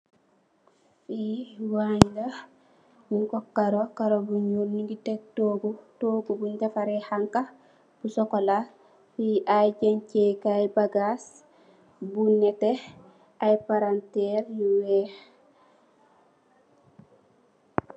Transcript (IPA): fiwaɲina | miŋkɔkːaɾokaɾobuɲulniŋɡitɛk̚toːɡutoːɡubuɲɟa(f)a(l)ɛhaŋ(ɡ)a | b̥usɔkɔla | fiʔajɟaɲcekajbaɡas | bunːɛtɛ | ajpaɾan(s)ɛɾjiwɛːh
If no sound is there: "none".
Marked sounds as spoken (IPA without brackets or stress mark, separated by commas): f, ɾ, k, t